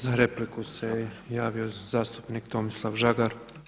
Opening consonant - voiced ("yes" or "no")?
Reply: yes